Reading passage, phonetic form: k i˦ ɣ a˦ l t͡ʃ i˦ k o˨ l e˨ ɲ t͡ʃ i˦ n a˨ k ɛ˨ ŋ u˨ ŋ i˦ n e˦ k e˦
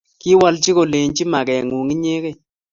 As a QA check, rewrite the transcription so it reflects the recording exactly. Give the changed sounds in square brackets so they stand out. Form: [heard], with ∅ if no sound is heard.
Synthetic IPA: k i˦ [w] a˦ l t͡ʃ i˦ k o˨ l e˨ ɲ t͡ʃ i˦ [m] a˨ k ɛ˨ ŋ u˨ ŋ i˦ [ɲ] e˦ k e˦